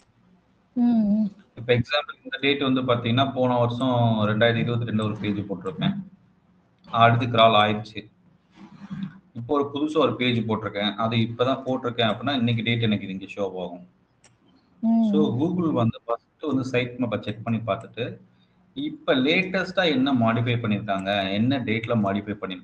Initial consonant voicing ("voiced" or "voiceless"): voiceless